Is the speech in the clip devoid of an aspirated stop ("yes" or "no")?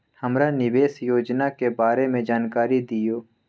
yes